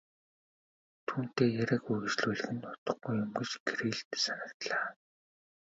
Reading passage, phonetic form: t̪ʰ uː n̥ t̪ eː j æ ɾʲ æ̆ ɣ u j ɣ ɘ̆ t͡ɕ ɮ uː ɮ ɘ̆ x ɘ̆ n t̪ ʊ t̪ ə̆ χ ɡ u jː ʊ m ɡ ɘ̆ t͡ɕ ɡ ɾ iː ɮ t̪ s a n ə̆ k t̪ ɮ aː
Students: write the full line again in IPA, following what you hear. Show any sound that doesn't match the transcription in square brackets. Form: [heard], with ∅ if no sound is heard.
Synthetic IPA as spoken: t̪ʰ uː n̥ t̪ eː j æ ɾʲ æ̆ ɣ u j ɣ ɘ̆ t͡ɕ ɮ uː ɮ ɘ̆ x ɘ̆ n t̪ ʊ t̪ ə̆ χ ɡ u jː ʊ m ɡ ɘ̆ t͡ɕ ɡ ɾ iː ɮ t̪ s a n ə̆ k t̪ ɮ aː